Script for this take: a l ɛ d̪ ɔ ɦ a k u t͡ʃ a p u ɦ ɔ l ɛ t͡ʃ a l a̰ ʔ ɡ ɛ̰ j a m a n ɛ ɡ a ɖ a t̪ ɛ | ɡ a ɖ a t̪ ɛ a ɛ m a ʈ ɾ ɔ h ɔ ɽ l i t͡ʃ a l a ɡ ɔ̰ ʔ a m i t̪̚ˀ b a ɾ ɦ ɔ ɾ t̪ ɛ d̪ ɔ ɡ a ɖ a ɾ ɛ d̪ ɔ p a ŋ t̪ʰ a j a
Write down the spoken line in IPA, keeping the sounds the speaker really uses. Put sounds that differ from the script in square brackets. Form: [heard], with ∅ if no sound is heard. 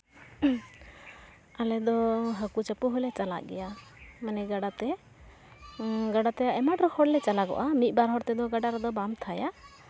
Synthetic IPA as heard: a l ɛ d̪ ɔ ɦ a k u t͡ʃ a p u ɦ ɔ l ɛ t͡ʃ a l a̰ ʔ ɡ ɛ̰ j a m a n ɛ ɡ a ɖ a t̪ ɛ | ɡ a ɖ a t̪ ɛ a ɛ m a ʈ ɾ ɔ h ɔ ɽ l [ɛ] t͡ʃ a l a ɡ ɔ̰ ʔ a m i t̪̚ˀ b a ɾ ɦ ɔ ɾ t̪ ɛ d̪ ɔ ɡ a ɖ a ɾ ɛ d̪ ɔ [b] a [m] t̪ʰ a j a